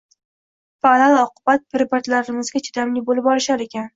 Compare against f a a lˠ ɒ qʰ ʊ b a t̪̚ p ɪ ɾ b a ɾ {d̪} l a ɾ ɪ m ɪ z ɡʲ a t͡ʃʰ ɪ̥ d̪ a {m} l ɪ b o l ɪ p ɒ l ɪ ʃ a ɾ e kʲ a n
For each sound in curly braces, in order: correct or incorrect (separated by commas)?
incorrect, correct